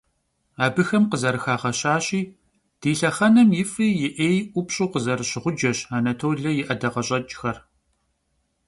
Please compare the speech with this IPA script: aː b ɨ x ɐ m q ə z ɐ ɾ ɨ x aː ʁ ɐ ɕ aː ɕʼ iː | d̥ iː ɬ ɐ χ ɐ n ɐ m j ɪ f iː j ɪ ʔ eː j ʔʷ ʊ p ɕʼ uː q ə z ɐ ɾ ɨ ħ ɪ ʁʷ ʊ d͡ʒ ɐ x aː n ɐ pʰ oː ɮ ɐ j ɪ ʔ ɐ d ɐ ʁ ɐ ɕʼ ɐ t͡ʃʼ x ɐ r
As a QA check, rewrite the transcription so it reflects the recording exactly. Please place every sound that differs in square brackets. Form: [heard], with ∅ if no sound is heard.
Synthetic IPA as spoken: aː b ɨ x ɐ m q ə z ɐ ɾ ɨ x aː ʁ ɐ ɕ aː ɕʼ iː | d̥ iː ɬ ɐ χ ɐ n ɐ m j ɪ f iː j ɪ ʔ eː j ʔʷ ʊ p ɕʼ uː q ə z ɐ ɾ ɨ [ɕ] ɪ ʁʷ ʊ d͡ʒ ɐ [ɕ] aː n ɐ [tʰ] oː ɮ ɐ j ɪ ʔ ɐ d ɐ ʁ ɐ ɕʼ ɐ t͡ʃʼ x ɐ r